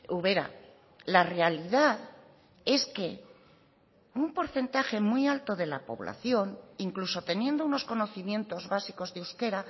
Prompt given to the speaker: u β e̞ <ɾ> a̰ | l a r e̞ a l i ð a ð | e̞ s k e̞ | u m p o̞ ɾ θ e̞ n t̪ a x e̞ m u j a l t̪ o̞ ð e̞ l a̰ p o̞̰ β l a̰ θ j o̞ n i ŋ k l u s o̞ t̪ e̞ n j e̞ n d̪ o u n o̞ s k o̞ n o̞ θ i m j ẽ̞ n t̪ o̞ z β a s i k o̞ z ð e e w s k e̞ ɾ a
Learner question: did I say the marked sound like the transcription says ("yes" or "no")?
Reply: yes